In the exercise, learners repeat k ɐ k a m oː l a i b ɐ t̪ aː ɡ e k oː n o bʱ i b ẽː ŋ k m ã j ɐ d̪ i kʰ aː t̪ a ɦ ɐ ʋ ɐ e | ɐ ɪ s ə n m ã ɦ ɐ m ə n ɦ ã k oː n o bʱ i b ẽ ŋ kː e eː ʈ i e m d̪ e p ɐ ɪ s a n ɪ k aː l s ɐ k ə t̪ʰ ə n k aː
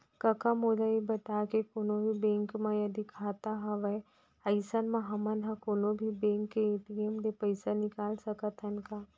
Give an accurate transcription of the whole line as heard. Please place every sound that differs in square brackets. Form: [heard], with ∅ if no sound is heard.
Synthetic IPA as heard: k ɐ k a m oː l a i b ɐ t̪ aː [k] e k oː n o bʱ i b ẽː ŋ k m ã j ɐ d̪ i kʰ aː t̪ a ɦ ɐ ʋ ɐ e | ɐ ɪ s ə n m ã ɦ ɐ m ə n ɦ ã k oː n o bʱ i b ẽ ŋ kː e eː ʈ i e m d̪ e p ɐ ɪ s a n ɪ k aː l s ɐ k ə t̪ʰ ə n k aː